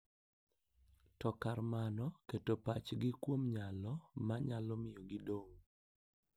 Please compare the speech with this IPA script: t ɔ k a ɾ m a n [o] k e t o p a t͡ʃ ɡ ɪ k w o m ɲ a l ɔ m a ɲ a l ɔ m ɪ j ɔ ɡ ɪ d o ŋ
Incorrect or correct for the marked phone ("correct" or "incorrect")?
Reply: incorrect